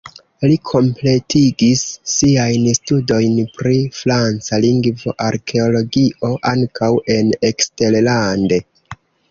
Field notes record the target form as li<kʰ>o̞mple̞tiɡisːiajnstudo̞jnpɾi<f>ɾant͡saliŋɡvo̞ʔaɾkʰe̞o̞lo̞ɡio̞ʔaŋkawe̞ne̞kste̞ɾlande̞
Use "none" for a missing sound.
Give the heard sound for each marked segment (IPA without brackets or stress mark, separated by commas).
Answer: kʰ, f